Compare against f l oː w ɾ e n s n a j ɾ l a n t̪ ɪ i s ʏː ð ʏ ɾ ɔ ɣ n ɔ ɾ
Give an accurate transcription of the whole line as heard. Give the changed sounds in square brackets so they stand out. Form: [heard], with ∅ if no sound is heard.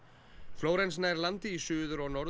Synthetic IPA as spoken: f l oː w ɾ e n s n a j ɾ l a n t̪ ɪ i s ʏː ð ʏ ɾ ɔ ɣ n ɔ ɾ

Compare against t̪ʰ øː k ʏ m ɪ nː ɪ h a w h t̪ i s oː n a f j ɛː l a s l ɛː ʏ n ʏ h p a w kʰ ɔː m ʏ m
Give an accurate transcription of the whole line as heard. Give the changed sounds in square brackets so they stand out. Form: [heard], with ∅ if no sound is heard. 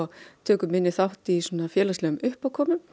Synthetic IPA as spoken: t̪ʰ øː k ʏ m ɪ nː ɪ [θ] a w h t̪ i s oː n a f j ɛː l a s l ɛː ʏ [m] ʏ h p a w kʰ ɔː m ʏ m

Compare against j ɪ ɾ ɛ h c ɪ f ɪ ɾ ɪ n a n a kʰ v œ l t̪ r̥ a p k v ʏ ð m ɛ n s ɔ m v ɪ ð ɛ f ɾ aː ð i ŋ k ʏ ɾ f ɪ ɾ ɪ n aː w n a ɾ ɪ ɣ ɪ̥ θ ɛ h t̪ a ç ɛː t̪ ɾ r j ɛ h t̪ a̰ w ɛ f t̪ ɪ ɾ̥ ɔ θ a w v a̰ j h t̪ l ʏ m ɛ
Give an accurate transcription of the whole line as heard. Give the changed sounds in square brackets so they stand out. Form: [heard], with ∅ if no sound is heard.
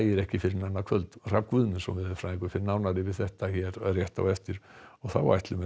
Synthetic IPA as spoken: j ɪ ɾ ɛ h c ɪ f ɪ ɾ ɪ n a n a kʰ v œ l t̪ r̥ a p k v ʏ ð m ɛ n s ɔ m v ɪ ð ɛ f ɾ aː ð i ŋ k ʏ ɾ f ɪ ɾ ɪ n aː w n a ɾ ɪ [v] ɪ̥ θ ɛ h t̪ a ç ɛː [∅] ɾ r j ɛ h t̪ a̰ w ɛ f t̪ ɪ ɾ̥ ɔ θ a w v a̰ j h t̪ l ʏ m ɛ

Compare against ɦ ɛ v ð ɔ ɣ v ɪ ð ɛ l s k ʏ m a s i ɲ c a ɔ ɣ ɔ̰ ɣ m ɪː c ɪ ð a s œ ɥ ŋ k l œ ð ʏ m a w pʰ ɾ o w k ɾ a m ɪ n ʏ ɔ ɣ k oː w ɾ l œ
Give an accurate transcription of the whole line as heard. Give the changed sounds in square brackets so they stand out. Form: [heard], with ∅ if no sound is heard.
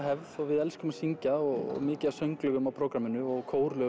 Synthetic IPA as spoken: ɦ ɛ v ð ɔ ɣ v ɪ ð ɛ l s k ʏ m a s i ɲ c a ɔ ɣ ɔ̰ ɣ m ɪː c ɪ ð a s œ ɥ ŋ k l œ [ɣ] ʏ m a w pʰ ɾ o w k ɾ a m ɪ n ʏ ɔ ɣ [kʰ] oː w ɾ l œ

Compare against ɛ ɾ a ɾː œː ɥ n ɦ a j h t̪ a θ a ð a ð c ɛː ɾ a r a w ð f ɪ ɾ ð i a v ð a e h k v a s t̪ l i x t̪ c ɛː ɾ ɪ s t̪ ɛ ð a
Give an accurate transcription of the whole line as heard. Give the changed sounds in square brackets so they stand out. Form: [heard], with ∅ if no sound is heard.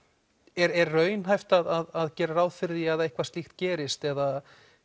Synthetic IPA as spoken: ɛ ɾ [ɛ] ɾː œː ɥ n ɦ a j [f] t̪ a [ð] a ð a ð c ɛː ɾ a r a w ð f ɪ ɾ ð i a [∅] ð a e h k v a s t̪ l i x t̪ c ɛː ɾ ɪ s t̪ ɛ ð a

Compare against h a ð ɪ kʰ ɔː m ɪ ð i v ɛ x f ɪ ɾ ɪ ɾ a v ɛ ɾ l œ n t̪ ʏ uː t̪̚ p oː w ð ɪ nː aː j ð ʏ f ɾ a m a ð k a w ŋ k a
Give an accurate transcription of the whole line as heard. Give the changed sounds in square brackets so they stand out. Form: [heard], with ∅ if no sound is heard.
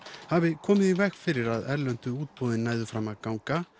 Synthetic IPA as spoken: h a [v] ɪ kʰ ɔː m ɪ ð i v ɛ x f ɪ ɾ ɪ ɾ a [ð] ɛ ɾ l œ n t̪ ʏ uː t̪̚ p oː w ð ɪ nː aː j ð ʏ f ɾ a m a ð k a w ŋ k a

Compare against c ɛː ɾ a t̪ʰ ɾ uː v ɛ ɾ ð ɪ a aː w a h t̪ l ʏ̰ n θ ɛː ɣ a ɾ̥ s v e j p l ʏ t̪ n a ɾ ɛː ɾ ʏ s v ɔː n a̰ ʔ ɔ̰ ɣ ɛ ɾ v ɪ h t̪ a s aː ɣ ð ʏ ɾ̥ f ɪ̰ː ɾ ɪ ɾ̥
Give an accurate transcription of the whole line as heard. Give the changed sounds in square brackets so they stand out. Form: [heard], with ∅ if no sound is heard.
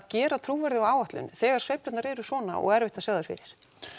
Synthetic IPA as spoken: c ɛː ɾ a t̪ʰ ɾ uː v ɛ ɾ ð ɪ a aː w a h t̪ l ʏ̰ n θ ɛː ɣ a ɾ̥ s v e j p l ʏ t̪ n a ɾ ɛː ɾ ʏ s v ɔː n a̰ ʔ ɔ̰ ɣ ɛ ɾ v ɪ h t̪ a s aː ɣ ð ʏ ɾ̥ f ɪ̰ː ɾ ɪ ɾ̥

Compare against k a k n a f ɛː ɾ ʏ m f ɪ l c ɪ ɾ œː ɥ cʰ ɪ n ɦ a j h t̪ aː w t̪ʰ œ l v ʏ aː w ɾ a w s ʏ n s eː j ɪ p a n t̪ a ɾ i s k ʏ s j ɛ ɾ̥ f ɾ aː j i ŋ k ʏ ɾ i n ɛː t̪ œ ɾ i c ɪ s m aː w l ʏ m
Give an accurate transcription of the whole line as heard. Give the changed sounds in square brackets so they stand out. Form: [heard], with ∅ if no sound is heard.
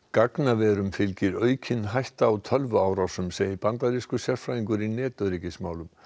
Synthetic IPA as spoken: k a k n a [v] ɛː ɾ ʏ m f ɪ l c ɪ ɾ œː ɥ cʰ ɪ n ɦ a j h t̪ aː w t̪ʰ œ l v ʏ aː w ɾ a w s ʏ [m] s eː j ɪ p a n t̪ a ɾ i s k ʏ s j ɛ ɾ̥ f ɾ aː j i ŋ k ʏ ɾ i n ɛː t̪ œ ɾ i c ɪ s m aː w l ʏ m

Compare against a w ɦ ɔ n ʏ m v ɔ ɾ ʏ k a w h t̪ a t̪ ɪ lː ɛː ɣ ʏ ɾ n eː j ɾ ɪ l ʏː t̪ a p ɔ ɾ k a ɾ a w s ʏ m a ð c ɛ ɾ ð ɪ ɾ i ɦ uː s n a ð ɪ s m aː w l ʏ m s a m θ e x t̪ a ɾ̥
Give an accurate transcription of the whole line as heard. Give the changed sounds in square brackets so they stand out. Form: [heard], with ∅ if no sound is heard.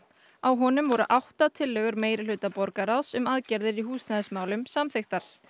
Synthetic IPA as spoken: a w ɦ ɔ n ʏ m v ɔ ɾ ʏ [ʔ] a w h t̪ a [t̪ʰ] ɪ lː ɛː ɣ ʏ ɾ [m] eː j ɾ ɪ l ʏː t̪ a p ɔ ɾ k a ɾ a w s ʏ m a ð c ɛ ɾ ð ɪ ɾ i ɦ uː s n a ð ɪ s m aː w l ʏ m s a m θ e x t̪ a ɾ̥

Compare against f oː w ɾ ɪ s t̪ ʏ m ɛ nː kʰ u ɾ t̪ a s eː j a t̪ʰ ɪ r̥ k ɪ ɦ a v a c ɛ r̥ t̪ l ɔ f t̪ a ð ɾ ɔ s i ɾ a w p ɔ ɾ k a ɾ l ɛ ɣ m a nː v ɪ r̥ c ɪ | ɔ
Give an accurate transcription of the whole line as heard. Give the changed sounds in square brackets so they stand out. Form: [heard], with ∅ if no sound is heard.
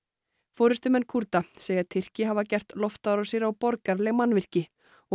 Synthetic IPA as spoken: f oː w ɾ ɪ s t̪ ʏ m ɛ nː kʰ u ɾ t̪ a s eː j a t̪ʰ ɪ r̥ [c] ɪ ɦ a v a c ɛ r̥ t̪ l ɔ f t̪ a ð ɾ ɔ s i ɾ a w p ɔ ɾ k a ɾ l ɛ ɣ m a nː v ɪ r̥ c ɪ | ɔ

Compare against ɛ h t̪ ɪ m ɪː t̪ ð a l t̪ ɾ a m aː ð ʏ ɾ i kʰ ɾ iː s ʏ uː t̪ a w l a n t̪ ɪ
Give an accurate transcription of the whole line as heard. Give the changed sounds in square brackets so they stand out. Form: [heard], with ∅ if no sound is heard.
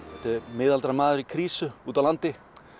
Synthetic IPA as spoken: ɛ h t̪ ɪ m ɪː [∅] ð a l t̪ ɾ a m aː ð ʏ ɾ i kʰ ɾ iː s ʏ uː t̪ a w l a n t̪ ɪ

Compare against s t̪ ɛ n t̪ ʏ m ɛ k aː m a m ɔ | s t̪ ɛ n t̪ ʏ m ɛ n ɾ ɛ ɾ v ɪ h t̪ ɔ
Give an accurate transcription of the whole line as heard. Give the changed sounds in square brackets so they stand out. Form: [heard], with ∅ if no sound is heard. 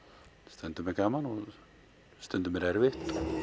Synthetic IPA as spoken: s t̪ ɛ n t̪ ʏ m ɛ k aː m a [n] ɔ | s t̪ ɛ n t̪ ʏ m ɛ [∅] ɾ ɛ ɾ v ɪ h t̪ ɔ

